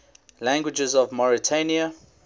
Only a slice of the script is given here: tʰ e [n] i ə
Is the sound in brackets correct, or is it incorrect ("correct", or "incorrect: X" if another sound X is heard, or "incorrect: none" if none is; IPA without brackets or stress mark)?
correct